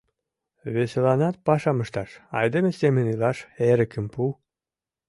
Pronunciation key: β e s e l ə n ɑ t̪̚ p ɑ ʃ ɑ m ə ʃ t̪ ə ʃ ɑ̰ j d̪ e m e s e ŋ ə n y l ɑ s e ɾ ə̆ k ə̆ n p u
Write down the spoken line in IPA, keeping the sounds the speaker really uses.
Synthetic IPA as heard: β e s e l ɑ n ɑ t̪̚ p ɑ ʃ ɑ m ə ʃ t̪ ɑ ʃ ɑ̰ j d̪ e m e s e m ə n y l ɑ ʃ e ɾ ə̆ k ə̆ m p u